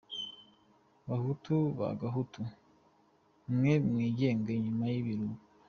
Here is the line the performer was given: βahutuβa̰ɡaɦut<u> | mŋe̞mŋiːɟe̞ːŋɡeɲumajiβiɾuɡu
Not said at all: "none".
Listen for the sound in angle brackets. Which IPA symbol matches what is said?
u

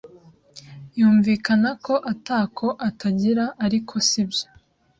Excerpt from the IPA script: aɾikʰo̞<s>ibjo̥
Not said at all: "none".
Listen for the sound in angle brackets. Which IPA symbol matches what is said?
s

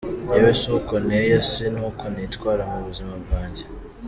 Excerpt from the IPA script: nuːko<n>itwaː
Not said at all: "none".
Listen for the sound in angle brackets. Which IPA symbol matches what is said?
n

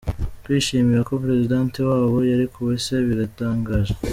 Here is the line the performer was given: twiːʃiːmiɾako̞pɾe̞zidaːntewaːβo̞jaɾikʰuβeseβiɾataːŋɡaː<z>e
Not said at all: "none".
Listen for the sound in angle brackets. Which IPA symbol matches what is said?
ʒ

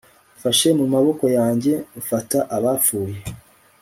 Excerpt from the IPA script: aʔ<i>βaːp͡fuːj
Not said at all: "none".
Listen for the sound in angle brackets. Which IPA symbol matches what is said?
a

